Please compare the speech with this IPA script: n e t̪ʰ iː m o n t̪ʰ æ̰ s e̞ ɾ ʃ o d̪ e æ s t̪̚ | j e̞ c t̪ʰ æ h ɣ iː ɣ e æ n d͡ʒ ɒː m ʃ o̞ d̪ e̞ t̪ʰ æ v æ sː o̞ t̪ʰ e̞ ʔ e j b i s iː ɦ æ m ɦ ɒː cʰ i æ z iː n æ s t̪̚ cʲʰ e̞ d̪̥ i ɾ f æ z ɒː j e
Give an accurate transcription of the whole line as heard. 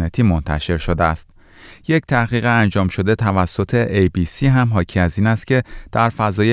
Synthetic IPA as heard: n e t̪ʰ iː m o n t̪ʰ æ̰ ʃ e̞ ɾ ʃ o d̪ e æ s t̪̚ | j e̞ c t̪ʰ æ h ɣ iː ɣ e æ n d͡ʒ ɒː m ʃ o̞ d̪ e̞ t̪ʰ æ v æ sː o̞ t̪ʰ e̞ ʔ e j b i s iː ɦ æ m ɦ ɒː cʰ i æ z iː n æ s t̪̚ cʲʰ e̞ d̪̥ æ ɾ f æ z ɒː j e